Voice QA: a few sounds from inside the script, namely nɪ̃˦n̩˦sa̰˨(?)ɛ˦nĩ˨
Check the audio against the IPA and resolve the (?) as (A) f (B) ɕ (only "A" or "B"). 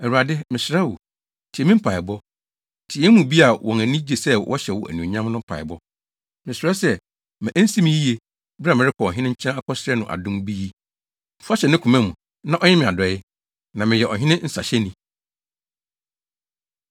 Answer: B